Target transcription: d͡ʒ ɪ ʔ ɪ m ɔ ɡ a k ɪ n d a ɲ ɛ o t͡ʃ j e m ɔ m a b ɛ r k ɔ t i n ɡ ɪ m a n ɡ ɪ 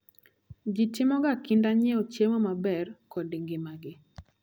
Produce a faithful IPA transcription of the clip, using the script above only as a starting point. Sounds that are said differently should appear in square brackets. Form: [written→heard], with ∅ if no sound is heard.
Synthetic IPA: d͡ʒ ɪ [ʔ→t] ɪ m ɔ ɡ a k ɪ n d a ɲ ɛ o t͡ʃ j e m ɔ m a b ɛ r k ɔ [t→d] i [n→ŋ] ɡ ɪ m a [n→∅] ɡ ɪ